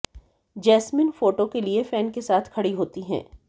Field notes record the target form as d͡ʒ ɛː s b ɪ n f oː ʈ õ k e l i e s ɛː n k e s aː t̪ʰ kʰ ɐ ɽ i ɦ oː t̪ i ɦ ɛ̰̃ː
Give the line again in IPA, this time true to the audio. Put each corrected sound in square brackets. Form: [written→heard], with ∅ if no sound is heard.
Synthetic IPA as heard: d͡ʒ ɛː s [b→m] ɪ n f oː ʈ [õ→o] k e l i e [s→f] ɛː n k e s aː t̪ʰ kʰ ɐ ɽ i ɦ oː t̪ i ɦ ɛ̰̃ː